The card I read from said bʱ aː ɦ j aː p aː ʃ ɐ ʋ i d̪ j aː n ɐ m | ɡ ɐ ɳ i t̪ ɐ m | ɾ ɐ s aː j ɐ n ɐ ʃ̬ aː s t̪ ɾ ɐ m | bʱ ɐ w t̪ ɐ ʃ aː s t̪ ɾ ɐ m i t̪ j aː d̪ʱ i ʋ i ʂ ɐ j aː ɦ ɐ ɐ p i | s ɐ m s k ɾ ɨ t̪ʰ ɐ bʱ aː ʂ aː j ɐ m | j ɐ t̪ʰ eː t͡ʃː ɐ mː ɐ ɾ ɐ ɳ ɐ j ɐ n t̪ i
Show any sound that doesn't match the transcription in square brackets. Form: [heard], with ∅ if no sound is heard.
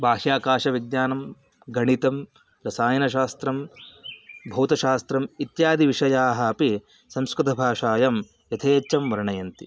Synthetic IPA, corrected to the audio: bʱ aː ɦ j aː [k] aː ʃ ɐ ʋ i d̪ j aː n ɐ m | ɡ ɐ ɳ i t̪ ɐ m | ɾ ɐ s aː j ɐ n ɐ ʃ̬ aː s t̪ ɾ ɐ m | bʱ ɐ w t̪ ɐ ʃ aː s t̪ ɾ ɐ m i t̪ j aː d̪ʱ i ʋ i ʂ ɐ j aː ɦ ɐ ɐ p i | s ɐ m s k ɾ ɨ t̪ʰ ɐ bʱ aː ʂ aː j ɐ m | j ɐ t̪ʰ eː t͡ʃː ɐ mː ɐ ɾ ɐ ɳ ɐ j ɐ n t̪ i